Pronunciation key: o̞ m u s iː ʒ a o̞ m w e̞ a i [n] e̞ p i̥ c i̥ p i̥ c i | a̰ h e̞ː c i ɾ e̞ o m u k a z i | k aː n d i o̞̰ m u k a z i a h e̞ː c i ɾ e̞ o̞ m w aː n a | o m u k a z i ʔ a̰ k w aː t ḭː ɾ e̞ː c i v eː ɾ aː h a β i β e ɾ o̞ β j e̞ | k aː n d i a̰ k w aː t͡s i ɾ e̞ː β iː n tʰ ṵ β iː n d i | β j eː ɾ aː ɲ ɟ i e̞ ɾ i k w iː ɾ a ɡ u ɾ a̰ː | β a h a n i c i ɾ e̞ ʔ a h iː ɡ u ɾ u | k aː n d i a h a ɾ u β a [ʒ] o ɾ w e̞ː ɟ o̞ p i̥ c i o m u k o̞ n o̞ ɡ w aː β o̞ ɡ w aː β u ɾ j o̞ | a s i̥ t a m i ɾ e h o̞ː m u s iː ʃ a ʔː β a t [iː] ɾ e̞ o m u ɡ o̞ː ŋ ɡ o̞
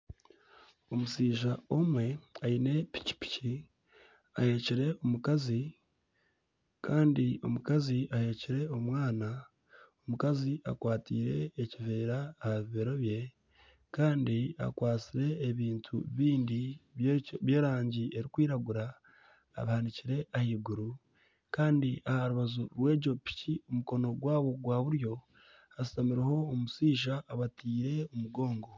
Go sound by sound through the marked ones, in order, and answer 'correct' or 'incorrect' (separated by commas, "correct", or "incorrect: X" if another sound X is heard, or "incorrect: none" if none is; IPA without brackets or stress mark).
correct, incorrect: z, correct